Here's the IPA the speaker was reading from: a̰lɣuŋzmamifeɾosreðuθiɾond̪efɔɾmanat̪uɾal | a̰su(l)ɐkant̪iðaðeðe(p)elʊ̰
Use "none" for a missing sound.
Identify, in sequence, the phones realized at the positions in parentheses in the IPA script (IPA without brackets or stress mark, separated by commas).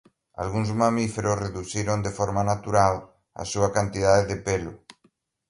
none, p